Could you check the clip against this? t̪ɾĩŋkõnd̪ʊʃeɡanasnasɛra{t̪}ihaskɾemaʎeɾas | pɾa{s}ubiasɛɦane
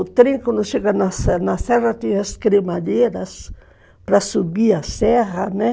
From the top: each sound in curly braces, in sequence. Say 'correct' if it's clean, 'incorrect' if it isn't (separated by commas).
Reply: correct, correct